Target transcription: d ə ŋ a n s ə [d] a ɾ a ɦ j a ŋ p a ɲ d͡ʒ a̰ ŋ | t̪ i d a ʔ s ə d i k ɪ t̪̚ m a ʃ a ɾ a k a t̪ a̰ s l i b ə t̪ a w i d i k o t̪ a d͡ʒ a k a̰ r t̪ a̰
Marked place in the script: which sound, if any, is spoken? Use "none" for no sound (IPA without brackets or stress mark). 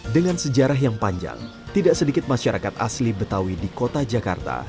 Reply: d͡ʒ